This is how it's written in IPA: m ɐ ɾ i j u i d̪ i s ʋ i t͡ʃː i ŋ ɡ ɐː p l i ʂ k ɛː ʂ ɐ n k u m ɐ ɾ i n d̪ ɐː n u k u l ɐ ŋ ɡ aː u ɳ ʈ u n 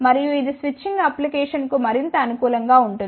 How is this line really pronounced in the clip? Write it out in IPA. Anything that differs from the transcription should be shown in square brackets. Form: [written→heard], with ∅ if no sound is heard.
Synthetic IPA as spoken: m ɐ ɾ i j u i d̪ i s ʋ i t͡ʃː i ŋ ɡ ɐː p l i [ʂ→∅] k ɛː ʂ ɐ n k u m ɐ ɾ i n [d̪→t̪] ɐː n u k [u→uː] l ɐ ŋ ɡ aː u ɳ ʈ u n